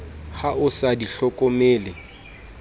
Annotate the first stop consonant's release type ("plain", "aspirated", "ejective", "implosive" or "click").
plain